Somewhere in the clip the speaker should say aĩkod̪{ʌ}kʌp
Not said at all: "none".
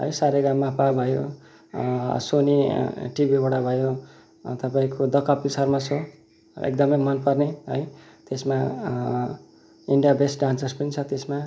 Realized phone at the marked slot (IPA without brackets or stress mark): ʌ